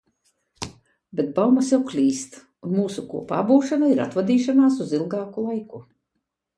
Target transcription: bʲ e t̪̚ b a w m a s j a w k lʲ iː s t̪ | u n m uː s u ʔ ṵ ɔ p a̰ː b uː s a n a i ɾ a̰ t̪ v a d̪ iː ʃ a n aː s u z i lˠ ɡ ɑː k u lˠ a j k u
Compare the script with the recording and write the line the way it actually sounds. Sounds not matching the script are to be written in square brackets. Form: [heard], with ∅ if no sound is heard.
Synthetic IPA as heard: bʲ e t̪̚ b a w m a s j a w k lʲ iː s t̪ | u n m uː s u [k] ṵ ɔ p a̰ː b uː [ʃ] a n a i ɾ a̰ t̪ v a d̪ iː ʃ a n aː s u z i lˠ ɡ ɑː k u lˠ a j k u